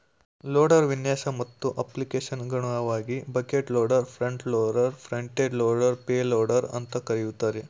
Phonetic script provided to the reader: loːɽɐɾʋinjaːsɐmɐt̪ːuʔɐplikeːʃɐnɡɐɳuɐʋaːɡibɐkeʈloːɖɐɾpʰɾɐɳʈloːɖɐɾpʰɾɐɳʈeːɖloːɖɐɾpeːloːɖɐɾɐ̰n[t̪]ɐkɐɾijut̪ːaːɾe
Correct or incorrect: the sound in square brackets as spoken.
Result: correct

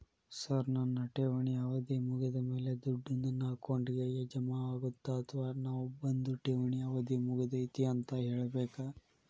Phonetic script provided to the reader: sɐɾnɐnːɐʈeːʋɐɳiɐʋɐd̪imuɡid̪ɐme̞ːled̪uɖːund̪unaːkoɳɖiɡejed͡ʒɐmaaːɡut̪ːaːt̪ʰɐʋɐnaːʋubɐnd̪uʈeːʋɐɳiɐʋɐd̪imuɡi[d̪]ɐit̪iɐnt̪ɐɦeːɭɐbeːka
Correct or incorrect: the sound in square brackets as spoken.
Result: correct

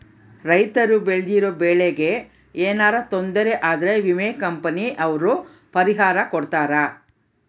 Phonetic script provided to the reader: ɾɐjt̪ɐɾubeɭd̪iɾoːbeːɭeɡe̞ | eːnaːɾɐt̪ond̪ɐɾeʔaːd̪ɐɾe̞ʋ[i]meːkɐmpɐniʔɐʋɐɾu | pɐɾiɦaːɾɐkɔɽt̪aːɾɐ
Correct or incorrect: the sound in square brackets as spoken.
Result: correct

